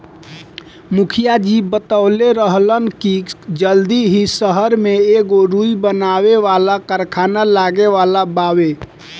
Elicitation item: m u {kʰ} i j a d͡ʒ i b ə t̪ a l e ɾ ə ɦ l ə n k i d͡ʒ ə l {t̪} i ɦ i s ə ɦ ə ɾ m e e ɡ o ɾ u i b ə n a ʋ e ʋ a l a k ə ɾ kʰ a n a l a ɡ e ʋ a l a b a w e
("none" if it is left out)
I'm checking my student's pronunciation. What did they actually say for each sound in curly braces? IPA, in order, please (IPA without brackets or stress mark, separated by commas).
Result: kʰ, d̪